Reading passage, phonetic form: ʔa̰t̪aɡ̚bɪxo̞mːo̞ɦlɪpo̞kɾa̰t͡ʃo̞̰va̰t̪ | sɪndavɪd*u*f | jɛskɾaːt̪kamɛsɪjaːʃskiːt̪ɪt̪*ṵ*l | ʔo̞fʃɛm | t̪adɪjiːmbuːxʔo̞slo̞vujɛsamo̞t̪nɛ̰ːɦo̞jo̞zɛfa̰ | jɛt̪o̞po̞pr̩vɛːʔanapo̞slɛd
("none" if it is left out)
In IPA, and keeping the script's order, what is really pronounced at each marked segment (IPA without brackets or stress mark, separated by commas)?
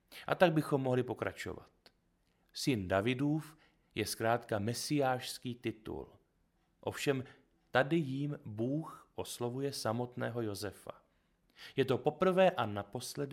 uː, ṵ